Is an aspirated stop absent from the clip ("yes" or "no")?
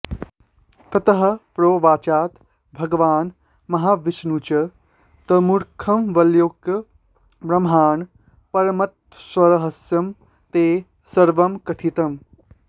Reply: no